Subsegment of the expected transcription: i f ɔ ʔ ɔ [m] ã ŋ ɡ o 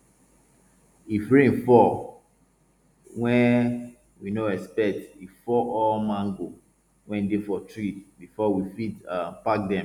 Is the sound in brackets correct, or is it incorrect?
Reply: correct